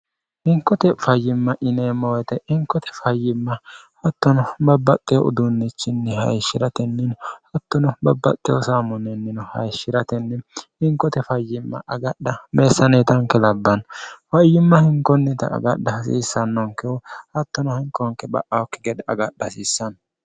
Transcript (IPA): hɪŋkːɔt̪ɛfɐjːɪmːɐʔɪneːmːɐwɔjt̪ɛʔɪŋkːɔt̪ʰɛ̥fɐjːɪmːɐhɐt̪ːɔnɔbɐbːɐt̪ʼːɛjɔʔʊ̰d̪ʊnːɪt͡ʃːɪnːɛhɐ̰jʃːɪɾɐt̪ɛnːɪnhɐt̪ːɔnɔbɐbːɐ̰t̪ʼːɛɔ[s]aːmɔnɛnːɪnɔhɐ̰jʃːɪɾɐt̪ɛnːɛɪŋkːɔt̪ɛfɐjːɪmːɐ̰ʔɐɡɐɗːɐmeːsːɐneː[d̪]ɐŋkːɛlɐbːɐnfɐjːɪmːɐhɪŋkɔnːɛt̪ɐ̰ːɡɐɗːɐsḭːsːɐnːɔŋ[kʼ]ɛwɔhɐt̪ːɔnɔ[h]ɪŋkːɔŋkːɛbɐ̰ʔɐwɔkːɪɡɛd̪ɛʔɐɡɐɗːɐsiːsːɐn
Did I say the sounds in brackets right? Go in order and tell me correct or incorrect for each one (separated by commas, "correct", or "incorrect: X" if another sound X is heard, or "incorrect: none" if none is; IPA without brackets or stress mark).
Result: correct, incorrect: t̪, incorrect: k, correct